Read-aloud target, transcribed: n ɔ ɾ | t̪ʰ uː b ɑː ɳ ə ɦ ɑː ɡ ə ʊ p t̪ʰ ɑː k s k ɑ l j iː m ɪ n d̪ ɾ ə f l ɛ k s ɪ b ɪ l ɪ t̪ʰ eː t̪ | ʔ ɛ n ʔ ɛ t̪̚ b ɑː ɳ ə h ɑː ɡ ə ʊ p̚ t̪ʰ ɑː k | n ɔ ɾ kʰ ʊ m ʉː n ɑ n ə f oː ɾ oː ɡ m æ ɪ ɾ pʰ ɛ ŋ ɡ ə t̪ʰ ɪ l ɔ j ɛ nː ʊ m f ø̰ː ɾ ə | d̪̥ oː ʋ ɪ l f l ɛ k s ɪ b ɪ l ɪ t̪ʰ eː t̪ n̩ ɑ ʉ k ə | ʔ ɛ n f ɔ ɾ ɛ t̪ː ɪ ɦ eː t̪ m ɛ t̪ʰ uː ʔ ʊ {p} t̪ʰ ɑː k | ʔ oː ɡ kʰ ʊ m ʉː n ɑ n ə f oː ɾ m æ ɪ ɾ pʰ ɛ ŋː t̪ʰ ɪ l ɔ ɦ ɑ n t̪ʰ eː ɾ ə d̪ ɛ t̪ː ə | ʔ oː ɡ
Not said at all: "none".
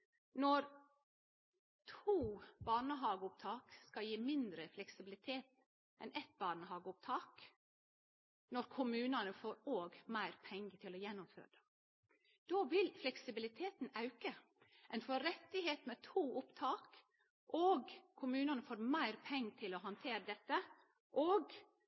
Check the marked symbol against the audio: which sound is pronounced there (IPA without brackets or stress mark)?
p